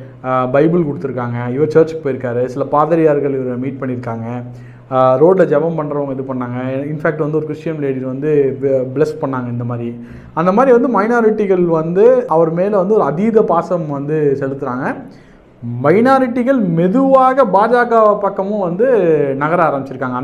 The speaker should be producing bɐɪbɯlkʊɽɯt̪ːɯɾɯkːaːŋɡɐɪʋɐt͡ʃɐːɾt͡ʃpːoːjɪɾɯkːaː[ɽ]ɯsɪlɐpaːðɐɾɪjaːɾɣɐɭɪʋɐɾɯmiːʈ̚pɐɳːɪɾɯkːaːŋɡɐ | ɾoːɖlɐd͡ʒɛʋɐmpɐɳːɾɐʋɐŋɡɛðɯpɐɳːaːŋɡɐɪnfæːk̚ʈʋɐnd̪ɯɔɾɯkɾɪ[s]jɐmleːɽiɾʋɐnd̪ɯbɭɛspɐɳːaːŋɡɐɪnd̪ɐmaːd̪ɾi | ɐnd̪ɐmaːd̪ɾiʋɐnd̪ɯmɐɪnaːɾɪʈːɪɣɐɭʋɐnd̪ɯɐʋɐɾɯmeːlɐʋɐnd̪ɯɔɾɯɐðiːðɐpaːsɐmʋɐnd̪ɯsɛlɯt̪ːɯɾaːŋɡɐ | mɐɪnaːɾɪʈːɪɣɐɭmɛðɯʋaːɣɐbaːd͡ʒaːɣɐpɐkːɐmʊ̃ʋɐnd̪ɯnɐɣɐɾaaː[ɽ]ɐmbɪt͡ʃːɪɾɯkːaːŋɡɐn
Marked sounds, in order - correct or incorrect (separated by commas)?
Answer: incorrect, incorrect, incorrect